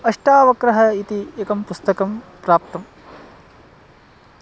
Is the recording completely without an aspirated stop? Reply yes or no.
yes